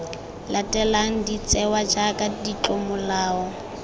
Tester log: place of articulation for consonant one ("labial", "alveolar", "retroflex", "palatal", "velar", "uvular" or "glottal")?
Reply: alveolar